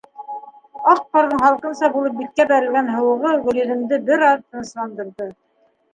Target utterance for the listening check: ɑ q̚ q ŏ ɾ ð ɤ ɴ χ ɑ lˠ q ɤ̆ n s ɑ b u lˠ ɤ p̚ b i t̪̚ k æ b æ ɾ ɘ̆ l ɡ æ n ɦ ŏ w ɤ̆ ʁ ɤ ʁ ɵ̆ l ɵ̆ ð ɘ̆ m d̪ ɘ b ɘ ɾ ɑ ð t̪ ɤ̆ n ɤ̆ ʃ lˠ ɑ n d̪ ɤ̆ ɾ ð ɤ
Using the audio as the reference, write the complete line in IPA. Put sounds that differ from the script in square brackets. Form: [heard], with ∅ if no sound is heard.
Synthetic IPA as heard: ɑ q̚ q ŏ ɾ ð ɤ ɴ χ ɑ lˠ q ɤ̆ n s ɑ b u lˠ ɤ p̚ b i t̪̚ k æ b æ ɾ ɘ̆ l ɡ æ n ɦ [ɤ̆] w ɤ̆ ʁ ɤ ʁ ɵ̆ l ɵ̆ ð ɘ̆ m d̪ ɘ b ɘ ɾ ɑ ð t̪ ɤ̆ n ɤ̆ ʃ lˠ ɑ n d̪ ɤ̆ ɾ ð ɤ